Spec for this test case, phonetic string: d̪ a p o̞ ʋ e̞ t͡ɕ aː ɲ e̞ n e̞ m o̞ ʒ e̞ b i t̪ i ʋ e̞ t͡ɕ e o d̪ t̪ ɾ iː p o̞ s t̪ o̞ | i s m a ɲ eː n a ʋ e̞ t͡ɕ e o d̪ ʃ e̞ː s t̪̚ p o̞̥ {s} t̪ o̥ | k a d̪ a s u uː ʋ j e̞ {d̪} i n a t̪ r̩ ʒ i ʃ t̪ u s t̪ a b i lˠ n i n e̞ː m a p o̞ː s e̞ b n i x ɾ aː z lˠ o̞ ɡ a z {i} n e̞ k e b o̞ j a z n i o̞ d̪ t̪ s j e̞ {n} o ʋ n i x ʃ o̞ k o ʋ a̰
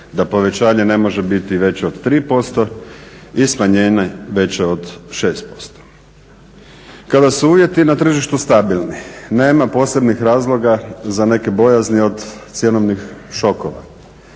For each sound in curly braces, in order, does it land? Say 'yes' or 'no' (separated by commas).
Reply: yes, no, no, yes